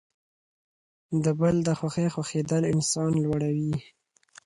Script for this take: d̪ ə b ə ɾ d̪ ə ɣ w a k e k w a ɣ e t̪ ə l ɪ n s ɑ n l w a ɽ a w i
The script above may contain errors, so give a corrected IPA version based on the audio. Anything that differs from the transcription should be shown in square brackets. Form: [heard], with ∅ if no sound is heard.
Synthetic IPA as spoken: d̪ ə b ə [l] d̪ ə [x] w a [x] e [x] w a [x] e [d̪] ə l ɪ n s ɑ n l w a ɽ a w i